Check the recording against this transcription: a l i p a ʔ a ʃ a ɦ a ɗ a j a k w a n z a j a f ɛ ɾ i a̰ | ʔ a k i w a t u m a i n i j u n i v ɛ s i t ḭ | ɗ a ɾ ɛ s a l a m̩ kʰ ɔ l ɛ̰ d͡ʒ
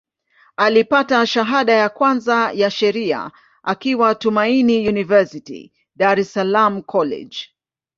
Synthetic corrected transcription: a l i p a t a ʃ a ɦ a ɗ a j a k w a n z a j a ʃ ɛ ɾ i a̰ | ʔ a k i w a t u m a i n i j u n i v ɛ s i t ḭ | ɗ a ɾ ɛ s a l a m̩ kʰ ɔ l ɛ̰ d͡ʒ